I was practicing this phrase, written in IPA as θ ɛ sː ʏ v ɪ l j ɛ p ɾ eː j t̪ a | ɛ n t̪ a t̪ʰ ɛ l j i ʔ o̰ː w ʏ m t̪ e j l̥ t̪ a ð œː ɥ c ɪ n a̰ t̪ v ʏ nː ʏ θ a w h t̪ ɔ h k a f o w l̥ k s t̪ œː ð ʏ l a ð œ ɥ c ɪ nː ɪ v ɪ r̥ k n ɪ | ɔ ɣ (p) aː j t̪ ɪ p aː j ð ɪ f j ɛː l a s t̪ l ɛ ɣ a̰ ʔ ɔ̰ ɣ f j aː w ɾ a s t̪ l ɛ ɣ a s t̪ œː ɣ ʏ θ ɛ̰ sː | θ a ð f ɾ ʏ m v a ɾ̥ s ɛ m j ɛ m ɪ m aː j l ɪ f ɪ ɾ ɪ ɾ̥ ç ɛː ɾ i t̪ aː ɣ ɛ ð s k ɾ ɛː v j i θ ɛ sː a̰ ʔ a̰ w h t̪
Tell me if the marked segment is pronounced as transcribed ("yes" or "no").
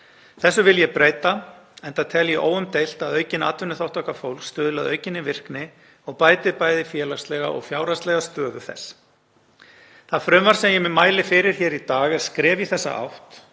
yes